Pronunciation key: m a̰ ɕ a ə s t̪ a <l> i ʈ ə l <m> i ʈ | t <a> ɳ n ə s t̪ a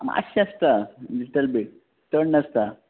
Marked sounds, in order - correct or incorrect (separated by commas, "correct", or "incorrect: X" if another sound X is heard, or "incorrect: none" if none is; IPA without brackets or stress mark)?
correct, incorrect: b, incorrect: ə